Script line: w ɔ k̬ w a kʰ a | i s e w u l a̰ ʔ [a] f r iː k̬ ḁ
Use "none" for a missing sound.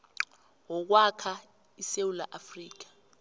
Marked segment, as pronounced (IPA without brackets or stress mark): a